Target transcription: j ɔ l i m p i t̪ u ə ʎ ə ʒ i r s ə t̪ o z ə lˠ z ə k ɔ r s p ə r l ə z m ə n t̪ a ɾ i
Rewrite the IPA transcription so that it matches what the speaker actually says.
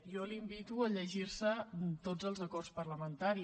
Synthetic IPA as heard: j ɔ l i m b i t̪ u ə ʎ ə ʒ i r s ə t̪ o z ə lˠ z ə k ɔ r s p ə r l ə m ə n t̪ a ɾ i